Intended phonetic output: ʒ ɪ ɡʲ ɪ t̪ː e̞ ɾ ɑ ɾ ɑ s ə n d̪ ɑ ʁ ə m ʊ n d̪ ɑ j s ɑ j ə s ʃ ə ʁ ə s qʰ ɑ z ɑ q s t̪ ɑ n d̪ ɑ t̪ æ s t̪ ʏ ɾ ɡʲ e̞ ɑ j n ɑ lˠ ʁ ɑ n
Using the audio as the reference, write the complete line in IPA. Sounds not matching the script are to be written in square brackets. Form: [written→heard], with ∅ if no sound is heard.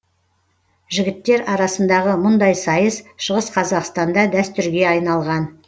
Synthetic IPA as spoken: ʒ ɪ ɡʲ ɪ t̪ː e̞ ɾ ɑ ɾ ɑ s ə n d̪ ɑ ʁ ə m ʊ n d̪ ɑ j s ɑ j ə s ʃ ə ʁ ə s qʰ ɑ z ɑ q s t̪ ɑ n d̪ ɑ [t̪→d̪] æ s t̪ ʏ ɾ ɡʲ e̞ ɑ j n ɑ lˠ ʁ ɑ n